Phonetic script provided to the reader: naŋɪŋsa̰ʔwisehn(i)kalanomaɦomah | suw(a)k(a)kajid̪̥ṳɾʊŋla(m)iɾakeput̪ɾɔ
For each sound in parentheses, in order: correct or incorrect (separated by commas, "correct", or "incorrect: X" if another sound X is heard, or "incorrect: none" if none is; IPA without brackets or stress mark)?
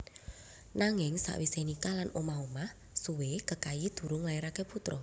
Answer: correct, incorrect: e, incorrect: ə, incorrect: none